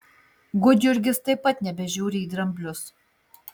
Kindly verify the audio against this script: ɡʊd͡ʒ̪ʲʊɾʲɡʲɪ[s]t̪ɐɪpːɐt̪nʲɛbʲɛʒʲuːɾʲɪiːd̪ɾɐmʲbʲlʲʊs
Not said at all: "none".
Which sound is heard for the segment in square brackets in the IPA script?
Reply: s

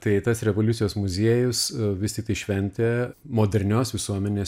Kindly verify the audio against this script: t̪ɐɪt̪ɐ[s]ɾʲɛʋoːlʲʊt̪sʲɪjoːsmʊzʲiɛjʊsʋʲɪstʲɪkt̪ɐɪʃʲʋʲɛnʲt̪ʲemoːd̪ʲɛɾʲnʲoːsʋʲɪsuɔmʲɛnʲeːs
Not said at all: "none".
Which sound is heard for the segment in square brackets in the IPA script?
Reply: s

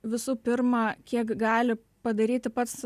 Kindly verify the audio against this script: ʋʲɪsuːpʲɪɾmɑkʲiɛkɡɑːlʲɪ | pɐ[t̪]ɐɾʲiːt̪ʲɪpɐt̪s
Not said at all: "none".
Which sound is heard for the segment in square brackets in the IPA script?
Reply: d̪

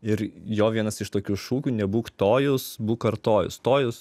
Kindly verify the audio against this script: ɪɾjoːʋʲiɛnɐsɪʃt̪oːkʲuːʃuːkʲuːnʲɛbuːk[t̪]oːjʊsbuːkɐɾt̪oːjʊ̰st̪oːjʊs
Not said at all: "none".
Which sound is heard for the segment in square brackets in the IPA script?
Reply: t̪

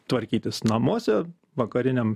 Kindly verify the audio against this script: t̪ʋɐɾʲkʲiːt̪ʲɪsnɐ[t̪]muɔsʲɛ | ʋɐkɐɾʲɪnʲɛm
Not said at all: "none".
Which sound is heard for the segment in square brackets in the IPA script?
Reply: none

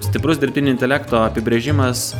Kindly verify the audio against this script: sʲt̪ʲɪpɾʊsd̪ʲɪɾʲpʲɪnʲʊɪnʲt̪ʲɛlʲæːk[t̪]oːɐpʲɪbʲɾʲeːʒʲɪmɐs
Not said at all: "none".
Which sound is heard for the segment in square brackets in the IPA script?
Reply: t̪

